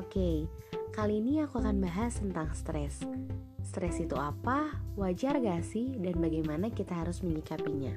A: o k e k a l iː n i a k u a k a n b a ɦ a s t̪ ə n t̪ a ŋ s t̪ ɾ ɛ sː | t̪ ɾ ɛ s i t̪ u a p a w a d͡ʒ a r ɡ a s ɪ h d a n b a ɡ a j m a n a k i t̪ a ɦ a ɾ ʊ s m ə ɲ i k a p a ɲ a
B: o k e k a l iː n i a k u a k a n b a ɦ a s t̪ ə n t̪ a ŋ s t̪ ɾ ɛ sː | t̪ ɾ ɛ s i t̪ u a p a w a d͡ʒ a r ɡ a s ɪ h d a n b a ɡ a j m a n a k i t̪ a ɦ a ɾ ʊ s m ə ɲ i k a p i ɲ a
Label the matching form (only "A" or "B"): B